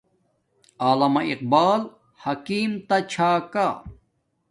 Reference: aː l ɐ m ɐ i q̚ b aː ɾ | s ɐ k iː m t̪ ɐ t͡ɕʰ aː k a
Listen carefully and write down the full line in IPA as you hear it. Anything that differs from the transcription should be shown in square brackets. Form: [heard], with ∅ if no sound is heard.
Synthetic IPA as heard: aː l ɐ m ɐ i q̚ b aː [l] | [h] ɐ k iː m t̪ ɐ t͡ɕʰ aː k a